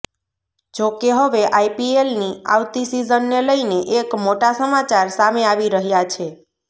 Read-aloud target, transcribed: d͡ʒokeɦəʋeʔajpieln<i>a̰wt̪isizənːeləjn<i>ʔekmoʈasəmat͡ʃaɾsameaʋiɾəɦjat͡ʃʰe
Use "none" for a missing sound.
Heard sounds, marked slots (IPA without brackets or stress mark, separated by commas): i, e